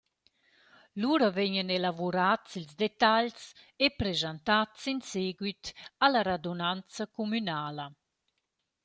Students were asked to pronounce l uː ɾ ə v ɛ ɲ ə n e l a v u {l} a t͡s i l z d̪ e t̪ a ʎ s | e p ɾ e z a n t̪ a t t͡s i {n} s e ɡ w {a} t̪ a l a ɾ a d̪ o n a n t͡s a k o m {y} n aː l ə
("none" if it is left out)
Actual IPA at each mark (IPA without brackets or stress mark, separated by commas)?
ɾ, n, i, y